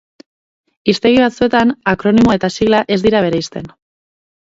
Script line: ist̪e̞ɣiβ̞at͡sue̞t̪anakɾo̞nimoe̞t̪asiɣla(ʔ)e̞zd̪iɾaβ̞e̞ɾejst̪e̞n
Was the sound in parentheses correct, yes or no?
yes